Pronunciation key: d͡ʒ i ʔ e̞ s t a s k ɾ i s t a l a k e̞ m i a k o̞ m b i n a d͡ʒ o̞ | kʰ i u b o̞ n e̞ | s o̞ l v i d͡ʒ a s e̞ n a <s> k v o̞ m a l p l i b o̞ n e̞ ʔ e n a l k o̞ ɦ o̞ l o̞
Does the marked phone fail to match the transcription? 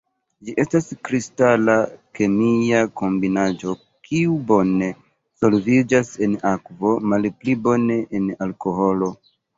yes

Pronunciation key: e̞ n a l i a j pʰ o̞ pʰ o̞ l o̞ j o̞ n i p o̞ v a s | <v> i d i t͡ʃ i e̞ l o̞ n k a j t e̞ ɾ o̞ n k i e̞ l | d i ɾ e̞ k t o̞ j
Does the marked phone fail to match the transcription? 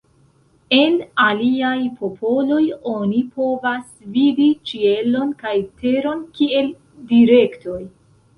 no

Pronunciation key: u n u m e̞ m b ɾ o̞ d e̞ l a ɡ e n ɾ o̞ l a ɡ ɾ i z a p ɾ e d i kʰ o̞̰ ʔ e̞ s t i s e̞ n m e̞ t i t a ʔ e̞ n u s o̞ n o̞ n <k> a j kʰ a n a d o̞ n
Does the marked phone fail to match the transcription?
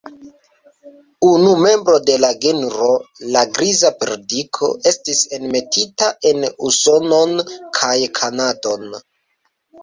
yes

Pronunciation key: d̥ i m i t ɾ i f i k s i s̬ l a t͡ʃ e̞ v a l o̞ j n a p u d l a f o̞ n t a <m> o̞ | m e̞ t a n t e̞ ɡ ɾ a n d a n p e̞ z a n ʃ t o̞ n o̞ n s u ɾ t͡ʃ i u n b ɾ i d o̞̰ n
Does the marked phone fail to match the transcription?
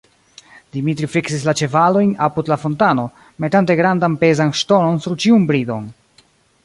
yes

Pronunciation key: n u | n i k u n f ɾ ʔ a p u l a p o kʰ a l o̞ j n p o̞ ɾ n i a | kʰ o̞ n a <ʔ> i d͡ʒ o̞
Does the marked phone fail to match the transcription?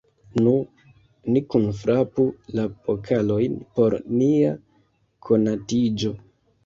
yes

